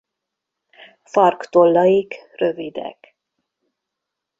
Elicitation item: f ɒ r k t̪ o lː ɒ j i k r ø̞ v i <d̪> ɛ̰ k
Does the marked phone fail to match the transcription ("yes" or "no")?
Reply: no